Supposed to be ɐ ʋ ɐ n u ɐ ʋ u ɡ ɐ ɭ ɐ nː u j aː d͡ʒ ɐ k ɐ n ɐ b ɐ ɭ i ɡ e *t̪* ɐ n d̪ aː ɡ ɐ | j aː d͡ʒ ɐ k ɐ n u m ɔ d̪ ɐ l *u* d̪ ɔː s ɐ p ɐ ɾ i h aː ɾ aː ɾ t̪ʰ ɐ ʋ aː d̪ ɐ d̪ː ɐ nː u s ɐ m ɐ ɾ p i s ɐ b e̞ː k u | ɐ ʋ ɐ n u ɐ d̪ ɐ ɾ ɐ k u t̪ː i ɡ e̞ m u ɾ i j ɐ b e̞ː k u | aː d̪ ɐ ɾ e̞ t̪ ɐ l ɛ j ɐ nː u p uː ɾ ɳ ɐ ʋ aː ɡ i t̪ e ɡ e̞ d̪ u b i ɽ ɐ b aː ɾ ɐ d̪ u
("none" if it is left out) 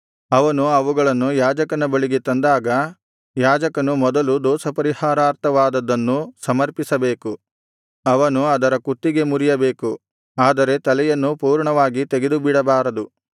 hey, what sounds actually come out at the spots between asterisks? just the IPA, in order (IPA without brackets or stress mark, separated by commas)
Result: t̪, u